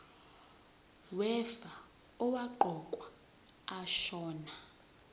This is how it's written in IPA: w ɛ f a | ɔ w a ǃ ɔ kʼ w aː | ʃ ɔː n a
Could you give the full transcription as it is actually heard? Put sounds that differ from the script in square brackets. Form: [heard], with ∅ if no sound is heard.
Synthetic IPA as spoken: w ɛ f a | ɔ w a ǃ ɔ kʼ w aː | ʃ ɔː n a